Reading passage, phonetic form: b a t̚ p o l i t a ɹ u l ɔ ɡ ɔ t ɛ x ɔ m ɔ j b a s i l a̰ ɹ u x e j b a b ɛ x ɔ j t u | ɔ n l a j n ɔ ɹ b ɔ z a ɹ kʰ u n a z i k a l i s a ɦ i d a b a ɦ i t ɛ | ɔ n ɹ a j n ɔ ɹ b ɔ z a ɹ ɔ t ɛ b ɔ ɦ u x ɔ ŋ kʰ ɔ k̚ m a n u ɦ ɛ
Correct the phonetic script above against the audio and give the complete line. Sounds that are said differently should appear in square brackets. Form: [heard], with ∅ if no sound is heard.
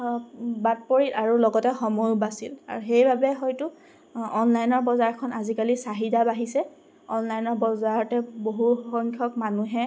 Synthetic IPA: b a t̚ p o [ɹ] i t a ɹ u l ɔ ɡ ɔ t ɛ x ɔ m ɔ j b a s i l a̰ ɹ u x e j b a b ɛ x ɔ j t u | ɔ n l a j n ɔ ɹ b ɔ z a ɹ kʰ [ɔ] n a z i k a l i s a ɦ i d a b a ɦ i [s] ɛ | ɔ n [l] a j n ɔ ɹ b ɔ z a ɹ ɔ t ɛ b [o] ɦ u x ɔ ŋ kʰ ɔ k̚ m a n u ɦ ɛ

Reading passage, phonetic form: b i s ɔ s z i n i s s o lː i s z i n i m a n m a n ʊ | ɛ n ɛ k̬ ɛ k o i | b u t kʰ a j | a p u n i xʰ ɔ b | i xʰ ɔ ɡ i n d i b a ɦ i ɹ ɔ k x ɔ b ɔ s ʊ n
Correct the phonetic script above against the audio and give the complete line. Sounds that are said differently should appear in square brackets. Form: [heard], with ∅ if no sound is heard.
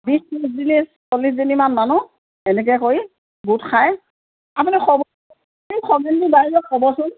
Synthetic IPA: b i s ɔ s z i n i s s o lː i s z i n i m a n m a n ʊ | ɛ n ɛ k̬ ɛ k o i | b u t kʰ a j | a p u n i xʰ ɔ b | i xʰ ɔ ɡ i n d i b a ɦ i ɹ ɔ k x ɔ b ɔ s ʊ n

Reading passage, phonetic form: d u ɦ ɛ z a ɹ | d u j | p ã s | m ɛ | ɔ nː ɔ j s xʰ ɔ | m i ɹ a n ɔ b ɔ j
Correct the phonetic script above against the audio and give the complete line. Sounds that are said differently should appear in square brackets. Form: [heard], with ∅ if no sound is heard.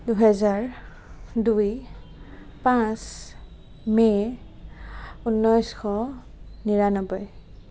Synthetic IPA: d u ɦ ɛ z a ɹ | d u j | p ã s | m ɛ | [u] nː ɔ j s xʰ ɔ | [n] i ɹ a n ɔ b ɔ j

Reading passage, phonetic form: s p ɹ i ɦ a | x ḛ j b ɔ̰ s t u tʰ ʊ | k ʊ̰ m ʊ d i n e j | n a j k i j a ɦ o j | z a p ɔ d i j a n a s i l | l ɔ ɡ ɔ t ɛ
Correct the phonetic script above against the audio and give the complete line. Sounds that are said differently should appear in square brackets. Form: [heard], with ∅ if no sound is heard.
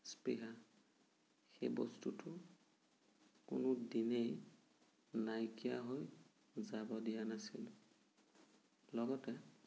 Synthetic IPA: s p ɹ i ɦ a | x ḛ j b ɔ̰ s t u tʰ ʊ | k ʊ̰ [n] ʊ d i n e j | n a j k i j a ɦ o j | z a [b] ɔ d i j a n a s i l | l ɔ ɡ ɔ t ɛ

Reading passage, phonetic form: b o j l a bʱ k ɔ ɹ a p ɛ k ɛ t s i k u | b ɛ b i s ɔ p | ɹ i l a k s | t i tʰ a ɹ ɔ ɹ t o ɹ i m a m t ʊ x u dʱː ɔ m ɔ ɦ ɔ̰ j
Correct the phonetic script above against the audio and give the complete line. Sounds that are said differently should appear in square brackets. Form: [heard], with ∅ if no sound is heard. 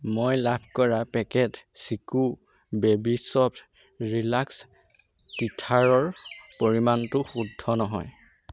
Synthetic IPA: [m] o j l a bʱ k ɔ ɹ a p ɛ k ɛ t s i k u | b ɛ b i s ɔ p | ɹ i l a k s | t i tʰ a ɹ ɔ ɹ [p] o ɹ i m a [n] t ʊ x u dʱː ɔ [n] ɔ ɦ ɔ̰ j

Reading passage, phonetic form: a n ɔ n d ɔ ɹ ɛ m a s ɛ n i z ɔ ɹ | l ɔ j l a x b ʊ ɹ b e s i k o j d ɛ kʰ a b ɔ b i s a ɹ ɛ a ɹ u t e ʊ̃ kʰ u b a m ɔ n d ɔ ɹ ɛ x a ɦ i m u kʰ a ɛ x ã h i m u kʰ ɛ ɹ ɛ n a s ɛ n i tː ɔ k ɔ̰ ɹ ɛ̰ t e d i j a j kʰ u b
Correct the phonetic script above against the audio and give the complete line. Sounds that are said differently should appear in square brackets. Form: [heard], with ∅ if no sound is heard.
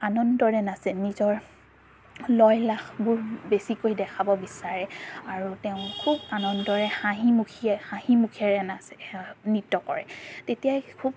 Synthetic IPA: a n ɔ n d ɔ ɹ ɛ [n] a s ɛ n i z ɔ ɹ | l ɔ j l a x b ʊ ɹ b e s i k o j d ɛ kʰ a b ɔ b i s a ɹ ɛ a ɹ u t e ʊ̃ kʰ u b a [n] ɔ n d ɔ ɹ ɛ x a ɦ i m u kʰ [i] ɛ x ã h i m u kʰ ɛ ɹ ɛ n a s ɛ n i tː ɔ k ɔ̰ ɹ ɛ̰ t e [t] i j a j kʰ u b

